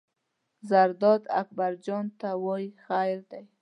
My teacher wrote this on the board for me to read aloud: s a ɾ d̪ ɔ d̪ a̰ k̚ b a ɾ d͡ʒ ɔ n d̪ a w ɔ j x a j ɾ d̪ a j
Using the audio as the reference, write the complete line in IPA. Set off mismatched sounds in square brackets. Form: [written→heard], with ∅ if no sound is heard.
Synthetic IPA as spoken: [s→z] a ɾ d̪ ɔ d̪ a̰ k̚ b a ɾ d͡ʒ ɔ n [d̪→t̪] a w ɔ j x a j ɾ d̪ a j